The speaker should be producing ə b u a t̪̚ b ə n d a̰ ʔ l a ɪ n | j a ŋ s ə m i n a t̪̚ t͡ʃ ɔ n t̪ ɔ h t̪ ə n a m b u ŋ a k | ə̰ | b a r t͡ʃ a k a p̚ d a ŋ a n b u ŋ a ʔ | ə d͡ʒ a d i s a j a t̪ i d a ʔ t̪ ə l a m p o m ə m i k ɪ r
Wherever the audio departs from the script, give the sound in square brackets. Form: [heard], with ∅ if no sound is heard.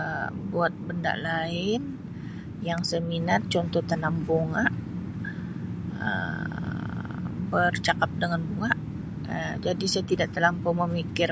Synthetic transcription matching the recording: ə b u a t̪̚ b ə n d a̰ ʔ l a ɪ n | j a ŋ s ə m i n a t̪̚ t͡ʃ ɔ n t̪ ɔ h t̪ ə n a m b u ŋ a [ʔ] | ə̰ | b [ə] r t͡ʃ a k a p̚ d [ə] ŋ a n b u ŋ a ʔ | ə d͡ʒ a d i s a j a t̪ i d a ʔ t̪ ə l a m p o m ə m i k ɪ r